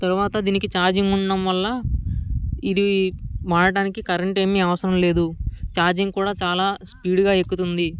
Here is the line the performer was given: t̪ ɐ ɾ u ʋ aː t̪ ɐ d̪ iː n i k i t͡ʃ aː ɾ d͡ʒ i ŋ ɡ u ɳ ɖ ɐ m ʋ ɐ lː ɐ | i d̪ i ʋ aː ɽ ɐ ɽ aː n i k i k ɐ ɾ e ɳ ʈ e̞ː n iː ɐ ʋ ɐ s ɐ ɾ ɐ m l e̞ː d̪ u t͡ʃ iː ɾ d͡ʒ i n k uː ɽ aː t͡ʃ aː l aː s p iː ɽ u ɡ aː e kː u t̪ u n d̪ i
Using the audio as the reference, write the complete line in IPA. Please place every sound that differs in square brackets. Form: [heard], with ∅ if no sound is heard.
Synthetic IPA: t̪ ɐ ɾ u ʋ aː t̪ ɐ d̪ iː n i k i t͡ʃ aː ɾ d͡ʒ i ŋ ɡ u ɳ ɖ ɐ m ʋ ɐ lː ɐ | i d̪ i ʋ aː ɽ ɐ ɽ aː n i k i k ɐ ɾ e ɳ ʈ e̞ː [m] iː ɐ ʋ ɐ s ɐ ɾ ɐ m l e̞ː d̪ u t͡ʃ [aː] ɾ d͡ʒ i [ŋ] k uː ɽ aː t͡ʃ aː l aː s p iː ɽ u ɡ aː e kː u t̪ u n d̪ i